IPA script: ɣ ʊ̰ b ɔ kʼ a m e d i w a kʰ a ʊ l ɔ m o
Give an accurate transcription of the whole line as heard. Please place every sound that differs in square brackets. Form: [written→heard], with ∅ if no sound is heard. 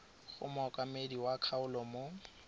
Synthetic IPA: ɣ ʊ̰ [b→m] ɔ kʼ a m e d i w a kʰ a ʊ l ɔ m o